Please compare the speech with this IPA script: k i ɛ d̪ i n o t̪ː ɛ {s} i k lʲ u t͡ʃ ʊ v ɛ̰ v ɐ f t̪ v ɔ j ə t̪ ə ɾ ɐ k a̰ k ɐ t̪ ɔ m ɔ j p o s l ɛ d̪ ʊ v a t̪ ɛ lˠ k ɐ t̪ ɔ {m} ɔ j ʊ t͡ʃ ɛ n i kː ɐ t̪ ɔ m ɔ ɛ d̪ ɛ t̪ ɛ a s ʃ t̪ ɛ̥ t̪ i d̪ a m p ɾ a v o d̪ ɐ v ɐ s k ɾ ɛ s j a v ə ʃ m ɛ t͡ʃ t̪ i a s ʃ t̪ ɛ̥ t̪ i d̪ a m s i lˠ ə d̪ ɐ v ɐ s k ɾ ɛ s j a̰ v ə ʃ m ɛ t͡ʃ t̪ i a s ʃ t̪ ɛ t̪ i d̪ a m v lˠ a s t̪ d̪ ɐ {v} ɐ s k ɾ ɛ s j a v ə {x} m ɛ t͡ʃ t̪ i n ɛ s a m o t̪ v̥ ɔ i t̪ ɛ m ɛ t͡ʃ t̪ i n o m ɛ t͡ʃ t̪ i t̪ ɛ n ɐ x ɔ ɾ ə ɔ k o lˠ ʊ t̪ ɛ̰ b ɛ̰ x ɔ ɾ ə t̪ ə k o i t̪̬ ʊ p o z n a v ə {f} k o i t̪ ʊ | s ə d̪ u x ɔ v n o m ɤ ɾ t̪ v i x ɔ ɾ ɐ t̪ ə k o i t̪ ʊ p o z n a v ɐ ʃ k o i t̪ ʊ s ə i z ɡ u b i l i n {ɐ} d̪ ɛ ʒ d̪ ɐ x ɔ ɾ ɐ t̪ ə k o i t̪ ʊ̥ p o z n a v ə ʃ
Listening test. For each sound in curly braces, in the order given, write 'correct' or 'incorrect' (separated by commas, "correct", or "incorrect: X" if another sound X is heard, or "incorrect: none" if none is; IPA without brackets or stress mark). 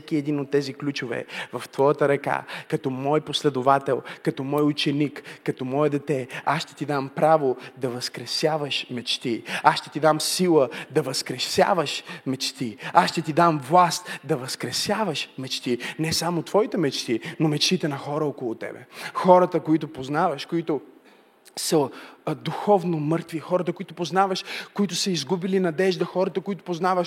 incorrect: z, correct, correct, incorrect: ʃ, incorrect: ʃ, correct